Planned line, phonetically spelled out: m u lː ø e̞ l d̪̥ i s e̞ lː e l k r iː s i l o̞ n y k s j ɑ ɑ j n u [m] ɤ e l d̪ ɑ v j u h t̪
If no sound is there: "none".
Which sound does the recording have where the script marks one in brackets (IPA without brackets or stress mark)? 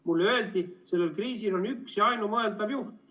m